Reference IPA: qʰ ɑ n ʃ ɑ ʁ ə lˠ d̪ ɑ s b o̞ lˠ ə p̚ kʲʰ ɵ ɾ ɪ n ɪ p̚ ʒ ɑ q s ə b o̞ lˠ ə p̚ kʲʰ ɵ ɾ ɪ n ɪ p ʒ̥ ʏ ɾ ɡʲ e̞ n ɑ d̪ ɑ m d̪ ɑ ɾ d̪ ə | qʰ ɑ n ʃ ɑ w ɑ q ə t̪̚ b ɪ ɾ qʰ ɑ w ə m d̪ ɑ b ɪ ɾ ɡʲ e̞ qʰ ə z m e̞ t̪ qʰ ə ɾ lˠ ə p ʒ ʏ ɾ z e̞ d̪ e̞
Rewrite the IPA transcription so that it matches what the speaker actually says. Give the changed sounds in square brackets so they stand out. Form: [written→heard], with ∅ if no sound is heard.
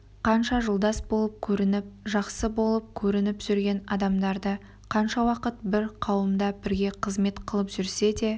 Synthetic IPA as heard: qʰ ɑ n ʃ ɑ [ʁ→ʒ] ə lˠ d̪ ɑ s b o̞ lˠ ə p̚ kʲʰ ɵ ɾ ɪ n ɪ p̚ ʒ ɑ q s ə b o̞ lˠ ə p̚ kʲʰ ɵ ɾ ɪ n ɪ p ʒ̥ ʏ ɾ ɡʲ e̞ n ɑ d̪ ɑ m d̪ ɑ ɾ d̪ ə | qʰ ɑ n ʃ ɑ w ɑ q ə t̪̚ b ɪ ɾ qʰ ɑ w ə m d̪ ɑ b ɪ ɾ ɡʲ e̞ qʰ ə z m e̞ t̪ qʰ ə [ɾ→∅] lˠ ə p ʒ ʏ ɾ [z→s] e̞ d̪ e̞